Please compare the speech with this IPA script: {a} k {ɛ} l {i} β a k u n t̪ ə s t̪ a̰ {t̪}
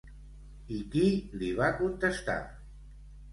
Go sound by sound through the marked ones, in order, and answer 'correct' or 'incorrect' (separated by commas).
incorrect, incorrect, correct, incorrect